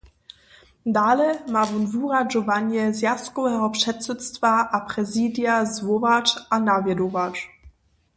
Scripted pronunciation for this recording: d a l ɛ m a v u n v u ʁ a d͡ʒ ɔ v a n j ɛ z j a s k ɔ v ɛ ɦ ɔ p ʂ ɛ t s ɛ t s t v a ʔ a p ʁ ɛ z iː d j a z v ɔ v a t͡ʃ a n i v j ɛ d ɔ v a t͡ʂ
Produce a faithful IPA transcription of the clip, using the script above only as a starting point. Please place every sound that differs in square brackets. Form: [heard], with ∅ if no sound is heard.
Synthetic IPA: d a l ɛ m a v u n v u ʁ a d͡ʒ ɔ v a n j ɛ z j a s k ɔ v ɛ ɦ ɔ p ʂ ɛ t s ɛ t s t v a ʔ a p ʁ ɛ z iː d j a z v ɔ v a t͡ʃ a n [a] v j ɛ d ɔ v a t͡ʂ